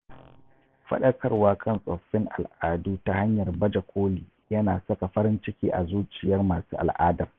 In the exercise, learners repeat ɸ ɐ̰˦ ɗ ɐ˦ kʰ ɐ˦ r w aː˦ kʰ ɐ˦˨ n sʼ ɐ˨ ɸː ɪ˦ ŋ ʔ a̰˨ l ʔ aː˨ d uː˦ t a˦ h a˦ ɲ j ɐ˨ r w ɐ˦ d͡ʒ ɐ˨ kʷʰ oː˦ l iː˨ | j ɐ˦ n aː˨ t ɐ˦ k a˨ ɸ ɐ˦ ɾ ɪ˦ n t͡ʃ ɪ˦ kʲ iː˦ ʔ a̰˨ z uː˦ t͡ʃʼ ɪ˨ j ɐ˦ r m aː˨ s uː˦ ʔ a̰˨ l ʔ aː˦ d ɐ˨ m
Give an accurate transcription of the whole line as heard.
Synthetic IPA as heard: ɸ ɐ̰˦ ɗ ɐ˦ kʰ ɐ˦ r w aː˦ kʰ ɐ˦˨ n sʼ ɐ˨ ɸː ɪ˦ ŋ ʔ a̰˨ l ʔ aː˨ d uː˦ t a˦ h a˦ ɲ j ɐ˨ r b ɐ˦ d͡ʒ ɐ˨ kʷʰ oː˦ l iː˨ | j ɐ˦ n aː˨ s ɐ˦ k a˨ ɸ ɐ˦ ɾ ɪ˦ n t͡ʃ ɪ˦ kʲ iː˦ ʔ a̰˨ z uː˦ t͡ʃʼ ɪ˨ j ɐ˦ r m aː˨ s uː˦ ʔ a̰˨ l ʔ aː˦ d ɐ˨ m

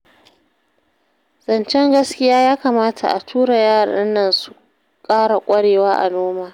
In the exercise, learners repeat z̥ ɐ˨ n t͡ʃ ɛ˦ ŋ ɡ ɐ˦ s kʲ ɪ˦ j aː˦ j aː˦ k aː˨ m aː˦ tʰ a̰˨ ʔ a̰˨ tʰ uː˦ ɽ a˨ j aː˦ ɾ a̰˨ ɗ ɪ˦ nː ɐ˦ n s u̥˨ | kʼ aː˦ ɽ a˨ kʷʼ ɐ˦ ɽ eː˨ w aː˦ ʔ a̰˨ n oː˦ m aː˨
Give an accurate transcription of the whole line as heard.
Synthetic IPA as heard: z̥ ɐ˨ n t͡ʃ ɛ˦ ŋ ɡ ɐ˦ s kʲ ɪ˦ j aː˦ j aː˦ k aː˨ m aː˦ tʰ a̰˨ ʔ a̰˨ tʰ uː˦ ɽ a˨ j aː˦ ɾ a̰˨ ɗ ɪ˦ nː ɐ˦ n s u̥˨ | kʼ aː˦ ɽ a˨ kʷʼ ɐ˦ ɽ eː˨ w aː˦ ʔ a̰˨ n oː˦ m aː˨

